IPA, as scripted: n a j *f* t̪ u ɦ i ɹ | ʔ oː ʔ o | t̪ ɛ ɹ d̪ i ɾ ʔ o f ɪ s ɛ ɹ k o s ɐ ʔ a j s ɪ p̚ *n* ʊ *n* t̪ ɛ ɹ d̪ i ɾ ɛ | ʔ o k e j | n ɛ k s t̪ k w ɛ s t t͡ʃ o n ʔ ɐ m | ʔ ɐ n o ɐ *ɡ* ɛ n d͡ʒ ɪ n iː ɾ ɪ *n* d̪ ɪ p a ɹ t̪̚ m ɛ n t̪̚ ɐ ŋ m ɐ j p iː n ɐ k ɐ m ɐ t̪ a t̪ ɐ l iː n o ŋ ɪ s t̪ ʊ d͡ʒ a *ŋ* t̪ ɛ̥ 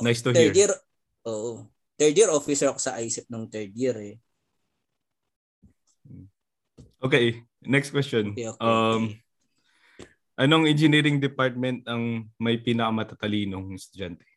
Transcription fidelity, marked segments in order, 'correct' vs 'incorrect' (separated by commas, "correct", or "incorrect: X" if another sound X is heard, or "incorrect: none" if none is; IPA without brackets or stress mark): incorrect: s, correct, incorrect: ŋ, incorrect: ŋ, incorrect: ŋ, incorrect: n